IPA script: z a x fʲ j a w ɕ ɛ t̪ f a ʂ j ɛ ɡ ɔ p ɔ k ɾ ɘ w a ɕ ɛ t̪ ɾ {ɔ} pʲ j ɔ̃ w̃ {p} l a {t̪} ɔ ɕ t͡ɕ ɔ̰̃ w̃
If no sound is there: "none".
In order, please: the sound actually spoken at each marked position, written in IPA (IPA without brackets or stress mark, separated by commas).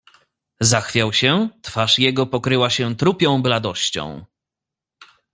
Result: u, b, d̪